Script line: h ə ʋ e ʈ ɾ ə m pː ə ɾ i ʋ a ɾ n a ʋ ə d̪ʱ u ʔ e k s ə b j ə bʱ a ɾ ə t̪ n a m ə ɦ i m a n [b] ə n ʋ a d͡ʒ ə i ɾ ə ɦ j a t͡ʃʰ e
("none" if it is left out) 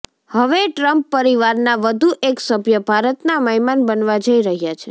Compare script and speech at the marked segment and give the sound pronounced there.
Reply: b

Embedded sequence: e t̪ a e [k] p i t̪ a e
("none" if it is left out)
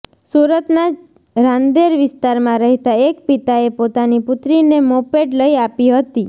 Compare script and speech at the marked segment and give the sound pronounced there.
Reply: k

